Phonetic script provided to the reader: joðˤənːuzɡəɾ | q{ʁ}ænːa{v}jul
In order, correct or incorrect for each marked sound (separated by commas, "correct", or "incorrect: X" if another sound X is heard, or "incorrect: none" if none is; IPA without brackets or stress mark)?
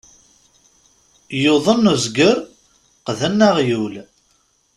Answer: incorrect: ð, incorrect: ʁ